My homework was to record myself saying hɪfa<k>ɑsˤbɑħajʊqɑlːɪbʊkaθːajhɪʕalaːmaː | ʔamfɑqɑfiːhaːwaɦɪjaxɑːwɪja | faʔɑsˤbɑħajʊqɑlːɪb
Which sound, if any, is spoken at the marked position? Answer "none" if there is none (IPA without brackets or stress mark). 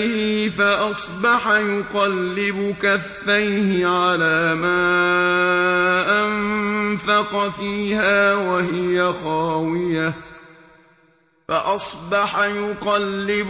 ʔ